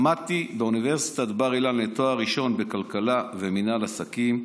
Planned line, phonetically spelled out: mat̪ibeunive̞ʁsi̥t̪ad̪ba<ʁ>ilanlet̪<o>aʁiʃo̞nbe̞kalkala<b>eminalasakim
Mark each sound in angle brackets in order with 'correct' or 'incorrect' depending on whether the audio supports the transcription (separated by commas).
correct, correct, incorrect